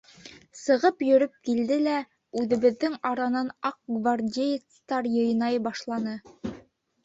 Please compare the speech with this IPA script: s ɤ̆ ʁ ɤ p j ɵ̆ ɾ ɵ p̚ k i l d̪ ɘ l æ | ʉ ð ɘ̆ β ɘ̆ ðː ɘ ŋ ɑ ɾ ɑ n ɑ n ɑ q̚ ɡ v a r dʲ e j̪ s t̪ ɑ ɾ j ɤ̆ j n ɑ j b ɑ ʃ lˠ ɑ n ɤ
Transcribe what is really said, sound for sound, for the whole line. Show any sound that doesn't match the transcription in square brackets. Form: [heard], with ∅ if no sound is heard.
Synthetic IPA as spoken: s ɤ̆ ʁ ɤ p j ɵ̆ ɾ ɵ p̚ k i l d̪ ɘ l æ | ʉ ð ɘ̆ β ɘ̆ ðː ɘ ŋ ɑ ɾ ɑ n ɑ n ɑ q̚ ɡ v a r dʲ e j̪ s t̪ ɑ ɾ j ɤ̆ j n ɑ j b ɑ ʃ lˠ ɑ n ɤ